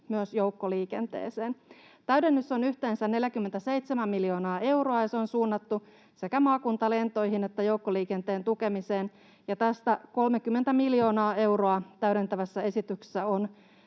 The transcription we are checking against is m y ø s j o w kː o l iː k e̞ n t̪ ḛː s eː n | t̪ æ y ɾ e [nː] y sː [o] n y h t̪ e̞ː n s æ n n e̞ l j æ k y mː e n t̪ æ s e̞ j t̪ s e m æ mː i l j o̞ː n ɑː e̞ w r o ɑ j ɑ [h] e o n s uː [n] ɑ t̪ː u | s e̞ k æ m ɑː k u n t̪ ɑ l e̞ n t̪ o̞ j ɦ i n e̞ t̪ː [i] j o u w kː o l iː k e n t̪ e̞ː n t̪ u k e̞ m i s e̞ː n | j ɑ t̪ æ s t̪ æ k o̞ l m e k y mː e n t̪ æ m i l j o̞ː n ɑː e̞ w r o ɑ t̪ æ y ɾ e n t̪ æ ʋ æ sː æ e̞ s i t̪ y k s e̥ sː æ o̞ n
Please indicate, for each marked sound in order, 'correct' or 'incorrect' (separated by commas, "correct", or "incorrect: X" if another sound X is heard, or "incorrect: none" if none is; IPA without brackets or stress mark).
correct, correct, incorrect: s, incorrect: nː, incorrect: æ